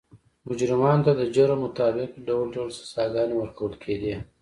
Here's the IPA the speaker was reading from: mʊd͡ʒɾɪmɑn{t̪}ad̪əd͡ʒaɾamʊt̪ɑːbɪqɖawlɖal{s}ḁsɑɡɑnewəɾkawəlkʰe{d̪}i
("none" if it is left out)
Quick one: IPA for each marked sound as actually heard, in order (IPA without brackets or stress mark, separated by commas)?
t̪, s, d̪